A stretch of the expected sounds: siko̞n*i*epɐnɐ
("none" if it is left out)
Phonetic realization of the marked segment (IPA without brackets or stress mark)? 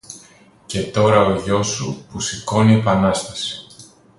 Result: i